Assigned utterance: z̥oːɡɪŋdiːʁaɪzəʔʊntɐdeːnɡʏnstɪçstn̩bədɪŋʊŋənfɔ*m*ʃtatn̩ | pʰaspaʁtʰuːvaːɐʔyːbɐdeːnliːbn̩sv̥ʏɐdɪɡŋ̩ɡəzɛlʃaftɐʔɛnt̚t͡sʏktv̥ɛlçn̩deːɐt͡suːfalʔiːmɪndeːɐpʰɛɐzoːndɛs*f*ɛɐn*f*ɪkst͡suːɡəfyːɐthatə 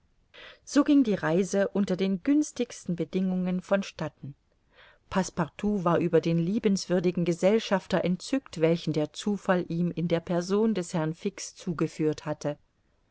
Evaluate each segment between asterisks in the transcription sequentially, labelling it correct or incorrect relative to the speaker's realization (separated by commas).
incorrect, incorrect, correct